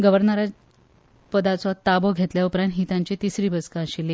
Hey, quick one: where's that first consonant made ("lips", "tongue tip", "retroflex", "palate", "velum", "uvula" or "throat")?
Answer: velum